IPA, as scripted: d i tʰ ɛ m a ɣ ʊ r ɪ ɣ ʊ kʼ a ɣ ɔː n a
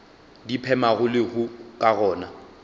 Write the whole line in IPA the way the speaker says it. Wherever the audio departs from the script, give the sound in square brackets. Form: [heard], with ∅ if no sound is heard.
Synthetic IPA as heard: d i [pʰ] ɛ m a ɣ ʊ [l] ɪ ɣ ʊ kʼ a ɣ ɔː n a